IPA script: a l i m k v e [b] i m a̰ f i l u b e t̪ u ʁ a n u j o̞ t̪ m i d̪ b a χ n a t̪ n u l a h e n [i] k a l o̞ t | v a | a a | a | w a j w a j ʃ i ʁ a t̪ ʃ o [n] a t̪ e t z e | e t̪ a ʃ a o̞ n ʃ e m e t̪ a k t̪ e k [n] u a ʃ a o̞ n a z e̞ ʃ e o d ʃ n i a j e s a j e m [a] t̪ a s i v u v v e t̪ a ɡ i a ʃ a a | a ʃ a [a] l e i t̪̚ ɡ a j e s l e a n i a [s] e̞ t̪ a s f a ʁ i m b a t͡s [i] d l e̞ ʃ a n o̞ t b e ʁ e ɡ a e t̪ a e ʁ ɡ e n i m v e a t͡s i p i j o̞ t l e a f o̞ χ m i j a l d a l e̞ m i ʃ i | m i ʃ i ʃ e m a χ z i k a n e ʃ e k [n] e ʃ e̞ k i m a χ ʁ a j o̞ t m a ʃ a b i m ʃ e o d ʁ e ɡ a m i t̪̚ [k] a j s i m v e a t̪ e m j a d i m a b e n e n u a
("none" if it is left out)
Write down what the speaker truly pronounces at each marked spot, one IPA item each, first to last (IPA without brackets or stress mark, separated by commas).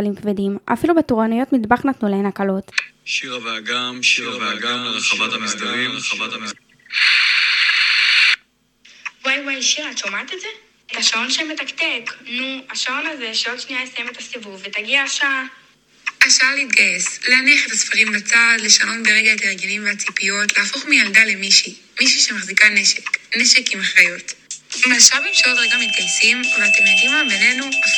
d, a, m, n, e, a, χ, a, n, ɡ